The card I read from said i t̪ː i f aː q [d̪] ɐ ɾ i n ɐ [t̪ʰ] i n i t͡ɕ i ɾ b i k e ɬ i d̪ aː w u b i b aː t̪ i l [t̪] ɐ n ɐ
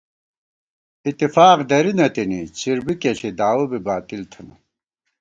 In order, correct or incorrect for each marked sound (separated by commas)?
correct, incorrect, incorrect